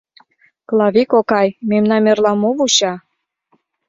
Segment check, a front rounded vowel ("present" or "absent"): absent